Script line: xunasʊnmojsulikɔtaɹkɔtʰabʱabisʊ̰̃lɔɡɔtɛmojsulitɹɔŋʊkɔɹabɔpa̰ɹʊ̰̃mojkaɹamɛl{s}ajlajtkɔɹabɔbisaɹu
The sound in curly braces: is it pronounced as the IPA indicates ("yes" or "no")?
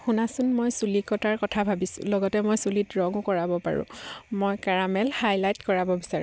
no